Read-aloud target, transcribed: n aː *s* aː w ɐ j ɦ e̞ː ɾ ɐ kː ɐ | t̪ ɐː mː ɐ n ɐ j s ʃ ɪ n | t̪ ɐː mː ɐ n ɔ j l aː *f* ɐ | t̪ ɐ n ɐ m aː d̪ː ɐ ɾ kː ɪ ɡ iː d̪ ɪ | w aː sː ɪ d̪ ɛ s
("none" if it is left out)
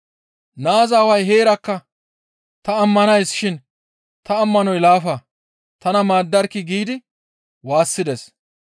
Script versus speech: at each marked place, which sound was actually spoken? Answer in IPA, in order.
z, f

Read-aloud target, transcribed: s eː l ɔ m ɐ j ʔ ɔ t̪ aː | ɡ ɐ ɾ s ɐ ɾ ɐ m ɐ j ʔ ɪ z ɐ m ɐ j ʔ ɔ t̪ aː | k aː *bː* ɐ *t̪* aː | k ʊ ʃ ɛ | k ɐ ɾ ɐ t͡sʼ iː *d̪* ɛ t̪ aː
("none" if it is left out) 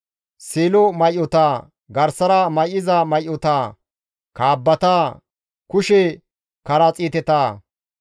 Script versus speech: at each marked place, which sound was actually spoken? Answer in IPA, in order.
bː, t̪, t̪

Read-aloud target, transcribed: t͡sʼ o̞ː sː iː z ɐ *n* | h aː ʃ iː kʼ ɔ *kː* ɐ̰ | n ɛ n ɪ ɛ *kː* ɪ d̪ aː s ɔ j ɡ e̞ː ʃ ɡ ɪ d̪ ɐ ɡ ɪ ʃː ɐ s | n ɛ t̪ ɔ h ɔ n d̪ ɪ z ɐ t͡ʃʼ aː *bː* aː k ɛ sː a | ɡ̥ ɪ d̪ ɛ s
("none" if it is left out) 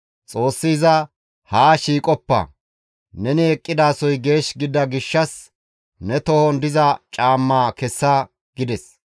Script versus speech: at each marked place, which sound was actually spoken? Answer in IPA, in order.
none, pː, kʼː, mː

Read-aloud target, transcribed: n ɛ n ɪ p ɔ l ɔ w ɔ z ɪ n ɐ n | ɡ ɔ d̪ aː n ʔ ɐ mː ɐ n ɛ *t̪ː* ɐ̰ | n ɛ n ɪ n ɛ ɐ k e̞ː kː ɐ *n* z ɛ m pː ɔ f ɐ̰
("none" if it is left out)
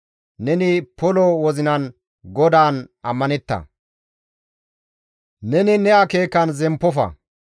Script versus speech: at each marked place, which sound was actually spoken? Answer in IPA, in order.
t̪ː, n

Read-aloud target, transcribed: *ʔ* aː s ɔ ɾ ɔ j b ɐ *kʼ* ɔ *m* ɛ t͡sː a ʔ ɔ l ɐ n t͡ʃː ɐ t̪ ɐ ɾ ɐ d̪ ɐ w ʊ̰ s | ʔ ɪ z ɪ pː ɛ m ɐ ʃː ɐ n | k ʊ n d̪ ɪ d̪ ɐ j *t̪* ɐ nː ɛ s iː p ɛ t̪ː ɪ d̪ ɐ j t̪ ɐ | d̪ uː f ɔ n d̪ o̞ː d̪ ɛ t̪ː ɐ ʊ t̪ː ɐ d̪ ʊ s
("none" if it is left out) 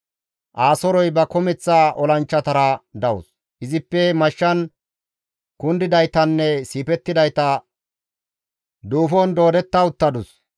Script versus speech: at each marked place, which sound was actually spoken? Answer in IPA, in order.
ʔ, k, m, t̪

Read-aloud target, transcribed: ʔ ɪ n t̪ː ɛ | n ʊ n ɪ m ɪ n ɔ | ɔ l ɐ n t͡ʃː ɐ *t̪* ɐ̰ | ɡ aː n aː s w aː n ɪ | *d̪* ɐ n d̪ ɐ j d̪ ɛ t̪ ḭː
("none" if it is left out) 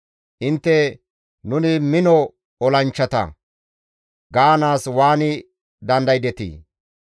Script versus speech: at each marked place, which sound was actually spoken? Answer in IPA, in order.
t̪, d̪

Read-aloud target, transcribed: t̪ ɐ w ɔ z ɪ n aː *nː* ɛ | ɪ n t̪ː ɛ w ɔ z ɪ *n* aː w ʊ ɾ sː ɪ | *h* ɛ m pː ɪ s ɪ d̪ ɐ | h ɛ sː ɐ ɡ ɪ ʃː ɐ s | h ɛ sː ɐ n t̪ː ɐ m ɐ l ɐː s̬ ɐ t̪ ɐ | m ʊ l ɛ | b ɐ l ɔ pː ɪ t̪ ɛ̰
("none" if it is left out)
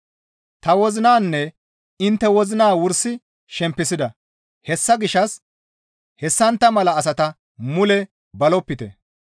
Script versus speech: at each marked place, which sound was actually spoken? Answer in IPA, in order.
nː, n, ʃ

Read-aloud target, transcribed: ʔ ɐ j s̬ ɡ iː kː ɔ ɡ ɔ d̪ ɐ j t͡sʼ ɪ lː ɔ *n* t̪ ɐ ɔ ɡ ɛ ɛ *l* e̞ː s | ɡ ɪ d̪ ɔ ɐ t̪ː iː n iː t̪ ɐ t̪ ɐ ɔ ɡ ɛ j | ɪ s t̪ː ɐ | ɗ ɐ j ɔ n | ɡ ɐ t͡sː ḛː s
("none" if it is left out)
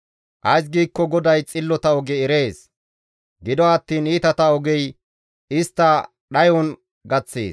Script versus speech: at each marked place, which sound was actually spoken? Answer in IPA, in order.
none, ɾ

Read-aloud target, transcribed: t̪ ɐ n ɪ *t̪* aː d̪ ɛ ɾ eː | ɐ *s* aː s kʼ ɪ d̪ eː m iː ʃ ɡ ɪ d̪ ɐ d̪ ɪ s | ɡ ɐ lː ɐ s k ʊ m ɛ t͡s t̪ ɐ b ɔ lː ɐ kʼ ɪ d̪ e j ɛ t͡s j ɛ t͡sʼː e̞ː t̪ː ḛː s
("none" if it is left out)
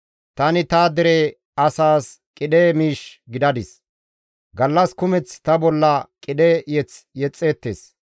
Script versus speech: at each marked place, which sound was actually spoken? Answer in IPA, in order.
t̪, s

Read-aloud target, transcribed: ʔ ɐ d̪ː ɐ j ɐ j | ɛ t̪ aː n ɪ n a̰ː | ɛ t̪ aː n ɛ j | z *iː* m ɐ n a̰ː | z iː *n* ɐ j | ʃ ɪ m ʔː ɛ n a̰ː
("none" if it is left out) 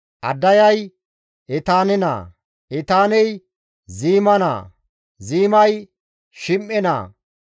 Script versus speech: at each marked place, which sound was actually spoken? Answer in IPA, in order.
iː, m

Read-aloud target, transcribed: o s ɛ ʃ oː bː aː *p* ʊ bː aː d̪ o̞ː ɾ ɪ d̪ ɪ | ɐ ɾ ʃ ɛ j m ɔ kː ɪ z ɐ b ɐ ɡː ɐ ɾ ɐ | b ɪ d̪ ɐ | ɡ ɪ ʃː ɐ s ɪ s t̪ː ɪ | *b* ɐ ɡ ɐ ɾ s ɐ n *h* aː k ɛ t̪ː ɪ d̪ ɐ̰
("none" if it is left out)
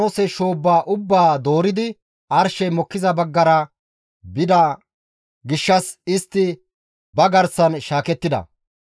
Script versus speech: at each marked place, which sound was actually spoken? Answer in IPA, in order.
ʔ, b, ʃ

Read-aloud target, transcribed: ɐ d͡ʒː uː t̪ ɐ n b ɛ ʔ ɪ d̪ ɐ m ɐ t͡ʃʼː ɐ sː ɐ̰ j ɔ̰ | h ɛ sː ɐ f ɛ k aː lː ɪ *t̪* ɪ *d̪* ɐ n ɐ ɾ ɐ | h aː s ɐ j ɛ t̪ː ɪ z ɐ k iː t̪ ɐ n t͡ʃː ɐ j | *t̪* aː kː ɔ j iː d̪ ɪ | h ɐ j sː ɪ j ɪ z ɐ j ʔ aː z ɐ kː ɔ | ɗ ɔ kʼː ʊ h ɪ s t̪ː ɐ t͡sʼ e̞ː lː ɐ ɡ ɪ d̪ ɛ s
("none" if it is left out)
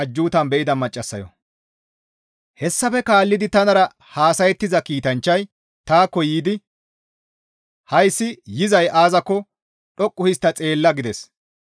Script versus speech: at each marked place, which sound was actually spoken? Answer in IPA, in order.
d̪, t̪, t̪

